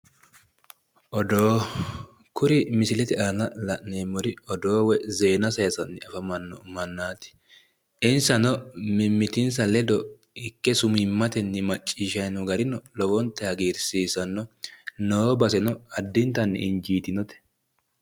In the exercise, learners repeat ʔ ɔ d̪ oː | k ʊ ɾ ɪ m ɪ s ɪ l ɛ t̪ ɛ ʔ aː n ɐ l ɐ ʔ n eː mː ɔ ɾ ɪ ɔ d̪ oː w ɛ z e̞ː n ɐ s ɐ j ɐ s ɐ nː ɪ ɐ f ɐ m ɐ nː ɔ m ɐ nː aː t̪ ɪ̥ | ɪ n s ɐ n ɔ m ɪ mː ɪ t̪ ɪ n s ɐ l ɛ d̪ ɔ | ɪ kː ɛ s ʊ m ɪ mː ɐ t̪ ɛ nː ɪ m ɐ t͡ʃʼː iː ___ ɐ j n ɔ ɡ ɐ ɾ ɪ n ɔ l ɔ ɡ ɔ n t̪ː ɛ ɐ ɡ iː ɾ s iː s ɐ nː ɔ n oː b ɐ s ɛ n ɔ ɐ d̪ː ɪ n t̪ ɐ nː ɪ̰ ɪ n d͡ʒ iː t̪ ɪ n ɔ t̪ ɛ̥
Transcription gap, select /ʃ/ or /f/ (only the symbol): ʃ